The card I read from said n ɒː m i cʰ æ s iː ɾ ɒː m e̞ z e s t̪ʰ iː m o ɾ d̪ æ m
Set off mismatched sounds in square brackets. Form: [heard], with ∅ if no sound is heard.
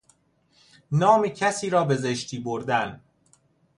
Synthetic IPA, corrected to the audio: n ɒː m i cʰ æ s iː ɾ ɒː [b] e̞ z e [ʃ] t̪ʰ iː [b] o ɾ d̪ æ [n]